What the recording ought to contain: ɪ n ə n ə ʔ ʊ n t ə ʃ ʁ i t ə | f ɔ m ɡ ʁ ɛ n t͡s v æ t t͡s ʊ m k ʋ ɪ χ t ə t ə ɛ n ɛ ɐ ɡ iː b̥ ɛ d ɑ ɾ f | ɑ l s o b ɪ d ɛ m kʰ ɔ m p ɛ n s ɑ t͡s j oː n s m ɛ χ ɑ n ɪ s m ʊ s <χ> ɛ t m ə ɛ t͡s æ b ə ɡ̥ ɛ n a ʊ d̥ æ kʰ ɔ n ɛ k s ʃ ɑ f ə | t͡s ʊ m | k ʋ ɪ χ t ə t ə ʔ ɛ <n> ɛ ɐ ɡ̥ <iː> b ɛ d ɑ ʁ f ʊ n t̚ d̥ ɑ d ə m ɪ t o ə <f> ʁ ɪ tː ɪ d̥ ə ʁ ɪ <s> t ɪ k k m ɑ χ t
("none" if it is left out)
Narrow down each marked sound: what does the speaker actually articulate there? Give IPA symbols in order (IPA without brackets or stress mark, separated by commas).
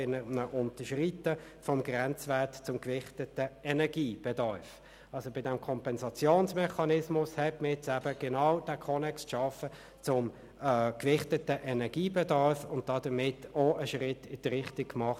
h, n, iː, ʃ, χ